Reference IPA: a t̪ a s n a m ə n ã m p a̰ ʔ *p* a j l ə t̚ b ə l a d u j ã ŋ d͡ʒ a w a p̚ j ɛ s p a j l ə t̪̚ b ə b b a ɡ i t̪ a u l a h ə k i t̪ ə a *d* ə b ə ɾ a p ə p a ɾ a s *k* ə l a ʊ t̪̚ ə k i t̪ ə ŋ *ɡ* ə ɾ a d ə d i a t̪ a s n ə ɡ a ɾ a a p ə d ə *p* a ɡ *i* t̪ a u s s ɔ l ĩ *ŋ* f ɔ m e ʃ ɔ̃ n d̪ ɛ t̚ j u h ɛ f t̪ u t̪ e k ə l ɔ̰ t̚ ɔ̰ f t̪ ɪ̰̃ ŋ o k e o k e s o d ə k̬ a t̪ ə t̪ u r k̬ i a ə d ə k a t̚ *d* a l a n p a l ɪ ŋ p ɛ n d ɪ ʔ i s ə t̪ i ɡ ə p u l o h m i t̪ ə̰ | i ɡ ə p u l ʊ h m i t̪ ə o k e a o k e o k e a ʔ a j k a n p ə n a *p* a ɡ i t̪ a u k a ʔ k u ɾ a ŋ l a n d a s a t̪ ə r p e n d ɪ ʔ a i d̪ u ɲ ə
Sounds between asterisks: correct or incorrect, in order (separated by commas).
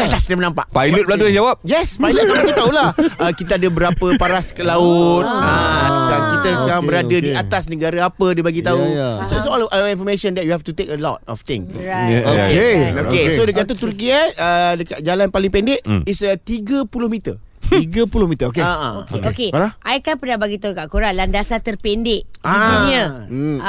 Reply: correct, correct, correct, incorrect, incorrect, correct, incorrect, incorrect, incorrect